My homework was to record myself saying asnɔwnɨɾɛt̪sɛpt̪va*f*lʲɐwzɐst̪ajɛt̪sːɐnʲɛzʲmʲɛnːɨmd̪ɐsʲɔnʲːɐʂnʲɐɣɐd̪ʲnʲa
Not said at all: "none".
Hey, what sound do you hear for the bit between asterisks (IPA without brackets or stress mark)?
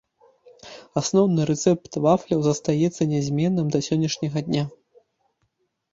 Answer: f